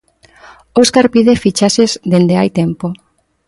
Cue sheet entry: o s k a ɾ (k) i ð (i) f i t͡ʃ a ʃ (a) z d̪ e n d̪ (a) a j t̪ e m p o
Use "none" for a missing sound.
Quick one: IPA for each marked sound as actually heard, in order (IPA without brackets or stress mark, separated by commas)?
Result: p, e, e, e